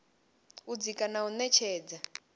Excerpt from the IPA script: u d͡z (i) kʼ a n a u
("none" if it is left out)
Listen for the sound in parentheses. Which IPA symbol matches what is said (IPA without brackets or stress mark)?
i